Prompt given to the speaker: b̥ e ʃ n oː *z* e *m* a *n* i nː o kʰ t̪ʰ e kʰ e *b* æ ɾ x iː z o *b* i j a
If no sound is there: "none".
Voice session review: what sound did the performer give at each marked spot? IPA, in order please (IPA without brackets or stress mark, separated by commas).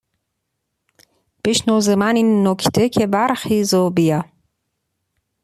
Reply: z, m, n, b, b